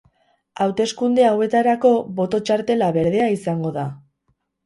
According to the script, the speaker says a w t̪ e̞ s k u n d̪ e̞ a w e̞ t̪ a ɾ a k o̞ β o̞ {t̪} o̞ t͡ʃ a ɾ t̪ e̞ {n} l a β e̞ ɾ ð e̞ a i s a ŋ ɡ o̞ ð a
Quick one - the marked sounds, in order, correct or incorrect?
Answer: correct, incorrect

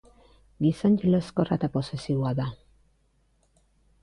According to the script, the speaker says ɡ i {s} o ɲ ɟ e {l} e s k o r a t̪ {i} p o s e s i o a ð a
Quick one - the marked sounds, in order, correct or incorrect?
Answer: correct, correct, incorrect

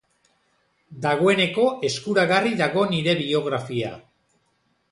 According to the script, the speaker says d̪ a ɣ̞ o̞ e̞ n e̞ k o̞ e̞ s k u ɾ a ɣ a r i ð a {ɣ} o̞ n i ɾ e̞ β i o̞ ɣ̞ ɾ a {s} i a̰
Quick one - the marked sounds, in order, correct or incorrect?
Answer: correct, incorrect

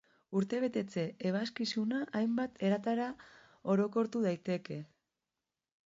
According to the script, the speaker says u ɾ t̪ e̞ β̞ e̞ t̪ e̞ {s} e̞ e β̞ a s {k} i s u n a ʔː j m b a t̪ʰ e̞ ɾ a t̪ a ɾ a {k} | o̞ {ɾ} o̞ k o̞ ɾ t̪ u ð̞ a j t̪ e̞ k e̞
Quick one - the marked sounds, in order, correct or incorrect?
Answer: incorrect, correct, incorrect, correct

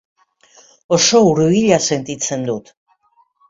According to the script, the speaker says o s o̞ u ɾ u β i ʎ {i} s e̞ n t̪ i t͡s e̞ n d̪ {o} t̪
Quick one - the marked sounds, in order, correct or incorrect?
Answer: incorrect, incorrect

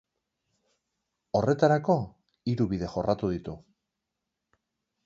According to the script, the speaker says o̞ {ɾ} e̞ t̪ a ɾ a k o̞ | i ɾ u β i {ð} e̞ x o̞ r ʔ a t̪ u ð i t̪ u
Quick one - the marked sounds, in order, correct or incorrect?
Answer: incorrect, correct

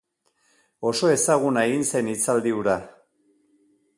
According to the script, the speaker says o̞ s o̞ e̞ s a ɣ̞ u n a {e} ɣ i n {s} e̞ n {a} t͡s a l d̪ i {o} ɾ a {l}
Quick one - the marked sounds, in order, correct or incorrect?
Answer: correct, correct, incorrect, incorrect, incorrect

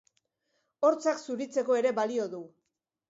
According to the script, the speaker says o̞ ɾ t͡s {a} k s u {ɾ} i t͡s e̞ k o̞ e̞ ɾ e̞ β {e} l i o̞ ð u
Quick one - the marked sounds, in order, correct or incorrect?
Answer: correct, correct, incorrect

